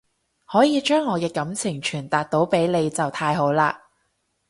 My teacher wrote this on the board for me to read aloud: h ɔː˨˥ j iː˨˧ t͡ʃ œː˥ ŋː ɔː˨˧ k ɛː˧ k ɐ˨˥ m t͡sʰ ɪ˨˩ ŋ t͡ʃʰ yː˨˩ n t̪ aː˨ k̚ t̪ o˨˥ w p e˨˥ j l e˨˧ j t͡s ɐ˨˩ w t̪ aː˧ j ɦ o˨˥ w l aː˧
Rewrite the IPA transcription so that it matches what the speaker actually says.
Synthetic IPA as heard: h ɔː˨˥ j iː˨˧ t͡ʃ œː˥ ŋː ɔː˨˧ k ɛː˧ k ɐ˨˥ m t͡sʰ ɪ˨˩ ŋ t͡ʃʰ yː˨˩ n t̪ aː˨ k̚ t̪ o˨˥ w p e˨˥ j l e˨˧ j t͡s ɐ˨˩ w t̪ʰ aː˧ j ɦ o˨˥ w l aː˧